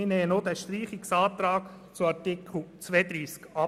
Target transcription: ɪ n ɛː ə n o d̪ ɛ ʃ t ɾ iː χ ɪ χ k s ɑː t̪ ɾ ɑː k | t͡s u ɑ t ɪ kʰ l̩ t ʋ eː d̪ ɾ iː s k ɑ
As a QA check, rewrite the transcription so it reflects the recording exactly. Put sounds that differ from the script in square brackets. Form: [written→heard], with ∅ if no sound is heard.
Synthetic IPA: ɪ n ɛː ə n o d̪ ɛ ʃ t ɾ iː χ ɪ [χ→∅] k s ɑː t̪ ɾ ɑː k | t͡s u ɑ t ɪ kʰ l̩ [t→t͡s] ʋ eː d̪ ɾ iː s k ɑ